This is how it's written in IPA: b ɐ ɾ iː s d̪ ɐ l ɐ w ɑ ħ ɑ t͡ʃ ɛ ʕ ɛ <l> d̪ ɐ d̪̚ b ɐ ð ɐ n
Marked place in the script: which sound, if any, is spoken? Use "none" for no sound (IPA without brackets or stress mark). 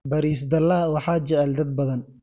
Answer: l